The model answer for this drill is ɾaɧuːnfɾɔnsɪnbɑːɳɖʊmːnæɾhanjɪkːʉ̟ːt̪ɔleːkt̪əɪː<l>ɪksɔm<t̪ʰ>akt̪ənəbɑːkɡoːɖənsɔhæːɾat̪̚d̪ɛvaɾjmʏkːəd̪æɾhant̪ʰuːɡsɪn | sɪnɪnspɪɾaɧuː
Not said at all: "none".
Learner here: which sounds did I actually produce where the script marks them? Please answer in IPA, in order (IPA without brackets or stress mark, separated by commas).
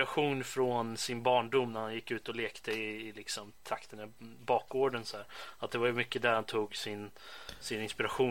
l, t̪ʰ